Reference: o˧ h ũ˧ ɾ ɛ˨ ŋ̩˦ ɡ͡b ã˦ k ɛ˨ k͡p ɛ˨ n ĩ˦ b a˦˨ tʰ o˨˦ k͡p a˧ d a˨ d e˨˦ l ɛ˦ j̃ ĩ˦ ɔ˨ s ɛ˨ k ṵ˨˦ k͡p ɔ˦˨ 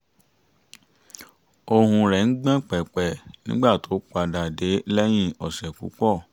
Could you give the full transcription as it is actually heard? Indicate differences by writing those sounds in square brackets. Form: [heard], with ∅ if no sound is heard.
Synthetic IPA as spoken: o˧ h ũ˧ ɾ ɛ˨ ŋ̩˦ ɡ͡b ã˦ [k͡p] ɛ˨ k͡p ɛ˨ n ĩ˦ [ɡ͡b] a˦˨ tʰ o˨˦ k͡p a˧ d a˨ d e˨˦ l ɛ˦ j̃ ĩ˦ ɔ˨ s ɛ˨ k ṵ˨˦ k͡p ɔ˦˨